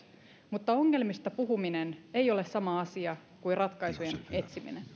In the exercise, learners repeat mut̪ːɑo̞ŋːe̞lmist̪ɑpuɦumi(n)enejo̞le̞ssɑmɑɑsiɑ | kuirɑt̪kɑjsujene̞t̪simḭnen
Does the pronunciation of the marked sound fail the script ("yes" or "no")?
no